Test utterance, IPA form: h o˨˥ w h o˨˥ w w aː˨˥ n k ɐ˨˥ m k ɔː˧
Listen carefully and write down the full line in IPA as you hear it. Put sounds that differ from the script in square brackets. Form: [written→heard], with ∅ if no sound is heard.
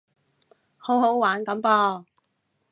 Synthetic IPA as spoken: h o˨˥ w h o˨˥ w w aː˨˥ n k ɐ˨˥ m [k→p] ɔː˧